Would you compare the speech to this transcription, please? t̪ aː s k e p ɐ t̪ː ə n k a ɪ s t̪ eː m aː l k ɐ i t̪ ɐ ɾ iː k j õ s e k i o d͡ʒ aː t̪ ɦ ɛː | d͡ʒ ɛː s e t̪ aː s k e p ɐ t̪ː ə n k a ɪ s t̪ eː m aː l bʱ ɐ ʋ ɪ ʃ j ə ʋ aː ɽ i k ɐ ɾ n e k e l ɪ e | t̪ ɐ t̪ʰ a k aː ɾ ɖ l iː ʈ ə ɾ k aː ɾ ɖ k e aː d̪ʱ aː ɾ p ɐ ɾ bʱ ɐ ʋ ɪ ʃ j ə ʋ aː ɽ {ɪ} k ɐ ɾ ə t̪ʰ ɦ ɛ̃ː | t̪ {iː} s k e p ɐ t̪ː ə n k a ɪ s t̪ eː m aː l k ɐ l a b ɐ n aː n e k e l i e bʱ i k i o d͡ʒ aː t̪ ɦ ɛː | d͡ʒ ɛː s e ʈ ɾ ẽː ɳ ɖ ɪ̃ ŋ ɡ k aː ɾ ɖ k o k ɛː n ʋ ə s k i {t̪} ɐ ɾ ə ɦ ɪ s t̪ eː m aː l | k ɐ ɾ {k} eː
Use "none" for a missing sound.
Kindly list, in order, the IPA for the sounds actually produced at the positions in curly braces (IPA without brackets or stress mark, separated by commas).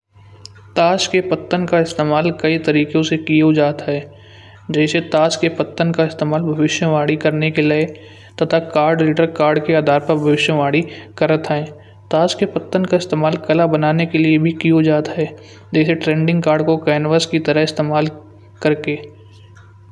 i, aː, t̪, k